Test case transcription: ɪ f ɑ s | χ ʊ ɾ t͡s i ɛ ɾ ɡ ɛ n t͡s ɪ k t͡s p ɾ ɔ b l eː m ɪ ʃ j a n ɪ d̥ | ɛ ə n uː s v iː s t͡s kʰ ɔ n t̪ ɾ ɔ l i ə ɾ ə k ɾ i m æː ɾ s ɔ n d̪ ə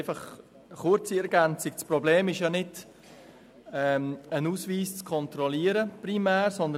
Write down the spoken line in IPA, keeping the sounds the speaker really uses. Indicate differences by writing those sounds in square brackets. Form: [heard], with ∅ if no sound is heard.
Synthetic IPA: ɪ f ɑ [χ] | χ ʊ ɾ t͡s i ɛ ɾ ɡ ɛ n t͡s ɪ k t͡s p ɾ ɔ b l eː m ɪ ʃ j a n ɪ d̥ | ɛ ə n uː s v iː s t͡s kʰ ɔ n t̪ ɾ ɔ l i ə ɾ ə [p] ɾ i m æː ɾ s ɔ n d̪ ə